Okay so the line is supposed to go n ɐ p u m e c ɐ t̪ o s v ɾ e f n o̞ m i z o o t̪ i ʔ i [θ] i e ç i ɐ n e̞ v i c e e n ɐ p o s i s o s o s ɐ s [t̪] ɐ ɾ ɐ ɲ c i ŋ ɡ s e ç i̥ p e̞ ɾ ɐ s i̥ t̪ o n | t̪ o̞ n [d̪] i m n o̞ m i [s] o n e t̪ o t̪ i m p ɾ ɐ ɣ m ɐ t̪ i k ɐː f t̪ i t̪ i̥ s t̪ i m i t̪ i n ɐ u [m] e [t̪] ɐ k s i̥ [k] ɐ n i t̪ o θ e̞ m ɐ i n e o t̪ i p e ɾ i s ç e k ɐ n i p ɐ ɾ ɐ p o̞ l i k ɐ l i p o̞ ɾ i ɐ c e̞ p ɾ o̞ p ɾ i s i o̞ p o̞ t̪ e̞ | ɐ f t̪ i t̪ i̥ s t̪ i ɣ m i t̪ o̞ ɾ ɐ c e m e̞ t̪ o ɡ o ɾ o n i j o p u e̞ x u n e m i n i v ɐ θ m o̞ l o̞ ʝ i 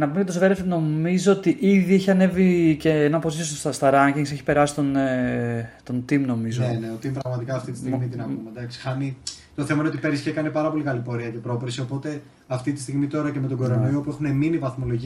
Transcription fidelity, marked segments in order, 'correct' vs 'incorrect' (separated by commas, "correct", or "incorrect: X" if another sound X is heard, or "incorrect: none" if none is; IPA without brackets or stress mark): incorrect: ð, correct, incorrect: t̪, incorrect: z, correct, incorrect: d̪, incorrect: x